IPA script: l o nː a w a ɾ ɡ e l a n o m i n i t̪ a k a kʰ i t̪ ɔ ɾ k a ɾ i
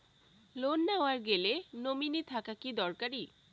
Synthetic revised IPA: l o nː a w a ɾ ɡ e l e n o m i n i t̪ʰ a k a k i d̪ ɔ ɾ k a ɾ i